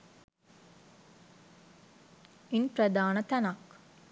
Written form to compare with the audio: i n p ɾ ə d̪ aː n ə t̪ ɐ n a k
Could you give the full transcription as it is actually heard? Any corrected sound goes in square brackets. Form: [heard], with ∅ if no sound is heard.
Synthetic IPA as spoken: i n p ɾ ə d̪ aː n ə t̪ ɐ n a k